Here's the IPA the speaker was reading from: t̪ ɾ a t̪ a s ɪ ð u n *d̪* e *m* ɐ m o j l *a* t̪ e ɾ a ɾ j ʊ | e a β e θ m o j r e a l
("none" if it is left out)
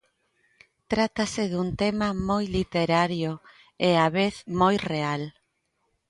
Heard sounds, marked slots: t̪, m, i

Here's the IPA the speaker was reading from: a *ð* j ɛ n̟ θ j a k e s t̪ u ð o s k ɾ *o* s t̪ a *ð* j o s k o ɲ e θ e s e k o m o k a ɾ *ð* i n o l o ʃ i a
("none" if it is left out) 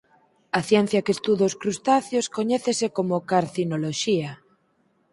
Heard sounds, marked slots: θ, u, θ, θ

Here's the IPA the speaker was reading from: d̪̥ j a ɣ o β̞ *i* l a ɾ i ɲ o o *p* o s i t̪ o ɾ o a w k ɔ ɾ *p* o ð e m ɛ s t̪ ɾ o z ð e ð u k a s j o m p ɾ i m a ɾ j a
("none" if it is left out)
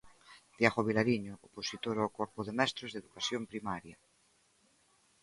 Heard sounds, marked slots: i, p, p

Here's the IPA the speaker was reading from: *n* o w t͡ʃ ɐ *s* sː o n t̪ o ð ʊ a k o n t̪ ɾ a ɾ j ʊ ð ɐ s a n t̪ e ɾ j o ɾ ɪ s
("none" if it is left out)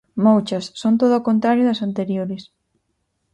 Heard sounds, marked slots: m, s

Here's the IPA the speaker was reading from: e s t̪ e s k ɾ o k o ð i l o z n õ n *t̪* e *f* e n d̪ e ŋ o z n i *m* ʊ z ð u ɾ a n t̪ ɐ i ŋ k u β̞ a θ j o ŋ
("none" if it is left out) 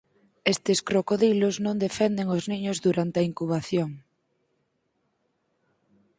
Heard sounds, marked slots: d̪, f, ɲ

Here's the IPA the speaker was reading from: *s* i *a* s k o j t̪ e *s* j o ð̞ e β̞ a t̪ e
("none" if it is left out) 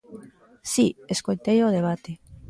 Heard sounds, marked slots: s, e, none

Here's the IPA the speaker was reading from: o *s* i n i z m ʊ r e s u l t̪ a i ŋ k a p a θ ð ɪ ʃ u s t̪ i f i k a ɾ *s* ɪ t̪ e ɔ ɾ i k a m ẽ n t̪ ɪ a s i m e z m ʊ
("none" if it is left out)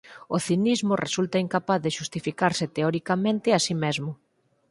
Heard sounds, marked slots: θ, s

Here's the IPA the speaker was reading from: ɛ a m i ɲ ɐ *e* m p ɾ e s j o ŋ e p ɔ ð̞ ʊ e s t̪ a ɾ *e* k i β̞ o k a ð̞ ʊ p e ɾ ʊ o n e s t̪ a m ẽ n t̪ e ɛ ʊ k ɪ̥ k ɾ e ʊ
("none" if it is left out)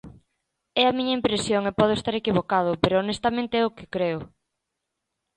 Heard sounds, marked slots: i, e

